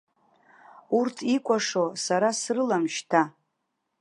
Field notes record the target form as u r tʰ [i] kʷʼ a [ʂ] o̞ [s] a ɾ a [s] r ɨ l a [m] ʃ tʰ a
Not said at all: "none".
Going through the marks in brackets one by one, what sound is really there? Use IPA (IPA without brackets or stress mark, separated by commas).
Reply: i, ʂ, s, s, m